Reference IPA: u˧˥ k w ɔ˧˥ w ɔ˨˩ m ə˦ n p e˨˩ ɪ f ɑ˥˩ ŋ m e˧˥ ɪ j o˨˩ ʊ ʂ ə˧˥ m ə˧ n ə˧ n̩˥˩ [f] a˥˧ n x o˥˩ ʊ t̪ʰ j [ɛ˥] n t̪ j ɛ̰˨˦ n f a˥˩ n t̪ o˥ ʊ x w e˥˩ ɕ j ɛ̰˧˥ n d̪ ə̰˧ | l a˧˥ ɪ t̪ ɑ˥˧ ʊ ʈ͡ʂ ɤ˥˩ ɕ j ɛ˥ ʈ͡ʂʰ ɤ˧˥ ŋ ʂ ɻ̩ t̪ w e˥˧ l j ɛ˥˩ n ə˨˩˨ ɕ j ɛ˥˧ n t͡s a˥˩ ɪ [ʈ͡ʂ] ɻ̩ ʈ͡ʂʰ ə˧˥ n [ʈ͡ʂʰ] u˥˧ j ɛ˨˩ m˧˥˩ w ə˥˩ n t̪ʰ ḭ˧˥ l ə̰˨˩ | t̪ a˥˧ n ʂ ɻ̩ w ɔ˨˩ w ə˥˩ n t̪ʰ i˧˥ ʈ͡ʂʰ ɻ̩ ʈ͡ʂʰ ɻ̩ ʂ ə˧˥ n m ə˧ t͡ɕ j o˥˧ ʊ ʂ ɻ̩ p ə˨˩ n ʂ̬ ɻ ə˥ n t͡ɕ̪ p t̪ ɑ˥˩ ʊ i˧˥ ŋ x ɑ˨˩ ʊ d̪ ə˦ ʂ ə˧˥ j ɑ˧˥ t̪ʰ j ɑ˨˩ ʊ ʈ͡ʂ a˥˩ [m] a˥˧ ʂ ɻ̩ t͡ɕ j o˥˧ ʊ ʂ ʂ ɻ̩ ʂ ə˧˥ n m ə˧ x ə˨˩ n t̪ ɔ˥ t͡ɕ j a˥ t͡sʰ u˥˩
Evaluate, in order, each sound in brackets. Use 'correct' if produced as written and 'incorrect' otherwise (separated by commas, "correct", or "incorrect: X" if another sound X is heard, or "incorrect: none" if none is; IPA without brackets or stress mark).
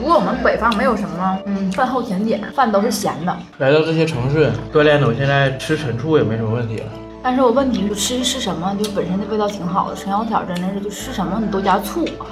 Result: correct, incorrect: ɛ˧˥, incorrect: ʈ͡ʂʰ, correct, incorrect: n